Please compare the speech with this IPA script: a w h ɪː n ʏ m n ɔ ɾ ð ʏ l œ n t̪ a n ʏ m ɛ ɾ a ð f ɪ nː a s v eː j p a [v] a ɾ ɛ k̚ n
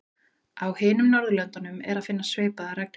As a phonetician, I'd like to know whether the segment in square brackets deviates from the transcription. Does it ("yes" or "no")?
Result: yes